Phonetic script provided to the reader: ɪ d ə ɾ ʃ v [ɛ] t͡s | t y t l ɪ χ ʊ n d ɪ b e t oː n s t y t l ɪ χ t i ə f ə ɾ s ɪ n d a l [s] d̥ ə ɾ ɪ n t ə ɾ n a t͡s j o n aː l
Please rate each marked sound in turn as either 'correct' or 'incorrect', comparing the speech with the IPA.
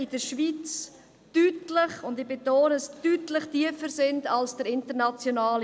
incorrect, correct

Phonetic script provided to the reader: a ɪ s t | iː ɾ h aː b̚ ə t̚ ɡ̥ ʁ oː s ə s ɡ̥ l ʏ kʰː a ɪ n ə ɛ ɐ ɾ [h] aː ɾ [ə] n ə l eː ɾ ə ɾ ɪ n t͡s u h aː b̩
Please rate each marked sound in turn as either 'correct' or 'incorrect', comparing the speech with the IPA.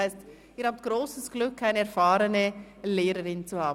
incorrect, correct

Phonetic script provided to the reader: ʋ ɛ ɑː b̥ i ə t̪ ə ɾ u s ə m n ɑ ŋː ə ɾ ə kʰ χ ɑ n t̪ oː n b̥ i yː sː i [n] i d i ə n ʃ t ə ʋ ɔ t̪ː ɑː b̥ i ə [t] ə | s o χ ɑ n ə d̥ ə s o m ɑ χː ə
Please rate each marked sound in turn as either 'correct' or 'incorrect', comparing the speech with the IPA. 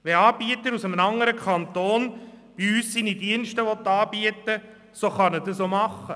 correct, correct

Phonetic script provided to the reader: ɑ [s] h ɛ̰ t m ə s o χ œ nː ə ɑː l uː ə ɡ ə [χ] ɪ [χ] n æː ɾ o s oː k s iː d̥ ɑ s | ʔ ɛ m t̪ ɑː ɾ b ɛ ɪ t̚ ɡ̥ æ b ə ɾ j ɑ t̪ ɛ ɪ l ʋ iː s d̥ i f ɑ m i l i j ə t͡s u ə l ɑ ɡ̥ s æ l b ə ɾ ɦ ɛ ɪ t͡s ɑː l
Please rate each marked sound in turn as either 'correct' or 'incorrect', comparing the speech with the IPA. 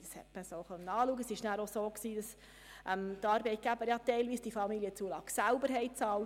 correct, incorrect, incorrect

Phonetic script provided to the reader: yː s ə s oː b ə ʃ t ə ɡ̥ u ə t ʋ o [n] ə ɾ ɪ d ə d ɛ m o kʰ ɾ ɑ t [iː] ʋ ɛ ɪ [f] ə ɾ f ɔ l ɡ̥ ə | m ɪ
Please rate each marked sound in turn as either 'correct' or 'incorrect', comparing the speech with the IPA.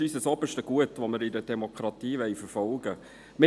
incorrect, correct, correct

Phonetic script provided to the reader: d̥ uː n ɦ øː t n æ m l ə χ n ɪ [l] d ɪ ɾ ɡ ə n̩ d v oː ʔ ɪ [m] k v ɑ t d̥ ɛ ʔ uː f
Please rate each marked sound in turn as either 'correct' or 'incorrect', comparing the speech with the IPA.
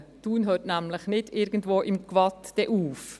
incorrect, correct

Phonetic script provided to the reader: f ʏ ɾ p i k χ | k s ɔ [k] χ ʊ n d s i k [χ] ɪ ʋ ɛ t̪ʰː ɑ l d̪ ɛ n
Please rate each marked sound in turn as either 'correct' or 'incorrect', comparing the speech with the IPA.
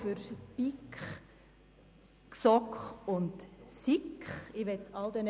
correct, correct

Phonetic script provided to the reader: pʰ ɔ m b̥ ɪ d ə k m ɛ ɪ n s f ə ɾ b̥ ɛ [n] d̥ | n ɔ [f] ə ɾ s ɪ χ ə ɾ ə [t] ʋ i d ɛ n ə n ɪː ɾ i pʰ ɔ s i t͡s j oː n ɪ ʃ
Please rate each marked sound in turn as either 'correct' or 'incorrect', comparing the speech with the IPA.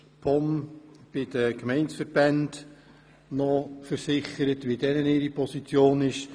correct, correct, correct

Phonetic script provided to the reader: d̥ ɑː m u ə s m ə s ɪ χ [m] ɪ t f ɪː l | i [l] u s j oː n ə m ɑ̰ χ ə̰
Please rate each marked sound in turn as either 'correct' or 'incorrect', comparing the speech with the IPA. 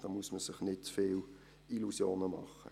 incorrect, correct

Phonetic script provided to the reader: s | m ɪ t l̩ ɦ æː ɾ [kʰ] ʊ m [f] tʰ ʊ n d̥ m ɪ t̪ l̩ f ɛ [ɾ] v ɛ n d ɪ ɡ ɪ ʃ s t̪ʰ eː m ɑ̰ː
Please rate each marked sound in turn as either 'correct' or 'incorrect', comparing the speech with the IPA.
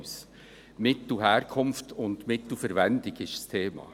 correct, correct, correct

